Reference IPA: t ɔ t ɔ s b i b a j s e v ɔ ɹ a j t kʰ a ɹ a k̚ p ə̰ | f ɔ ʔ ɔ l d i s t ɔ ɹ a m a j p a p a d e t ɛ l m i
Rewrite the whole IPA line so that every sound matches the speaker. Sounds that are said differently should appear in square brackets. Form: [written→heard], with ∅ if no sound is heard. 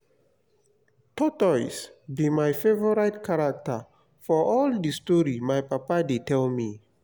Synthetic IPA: t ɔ t ɔ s b i [b→m] a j [s→f] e v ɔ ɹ a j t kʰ a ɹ a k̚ [p→t] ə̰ | f ɔ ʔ ɔ l d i s t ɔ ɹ [a→i] m a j p a p a d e t ɛ l m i